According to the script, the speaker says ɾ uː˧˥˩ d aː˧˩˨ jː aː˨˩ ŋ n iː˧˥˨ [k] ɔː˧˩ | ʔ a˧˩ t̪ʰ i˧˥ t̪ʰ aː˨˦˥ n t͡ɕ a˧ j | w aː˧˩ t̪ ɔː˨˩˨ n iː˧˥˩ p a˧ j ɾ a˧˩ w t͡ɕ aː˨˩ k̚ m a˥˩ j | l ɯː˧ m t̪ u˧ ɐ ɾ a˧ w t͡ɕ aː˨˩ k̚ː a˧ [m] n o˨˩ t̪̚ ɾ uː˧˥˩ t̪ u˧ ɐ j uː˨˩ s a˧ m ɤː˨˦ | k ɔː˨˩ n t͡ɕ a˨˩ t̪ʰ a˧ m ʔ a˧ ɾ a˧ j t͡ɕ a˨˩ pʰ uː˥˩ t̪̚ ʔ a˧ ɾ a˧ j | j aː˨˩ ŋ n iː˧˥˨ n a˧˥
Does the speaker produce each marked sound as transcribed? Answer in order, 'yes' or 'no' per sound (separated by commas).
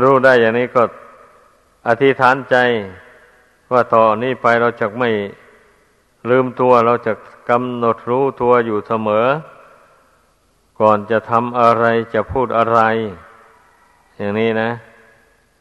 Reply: yes, yes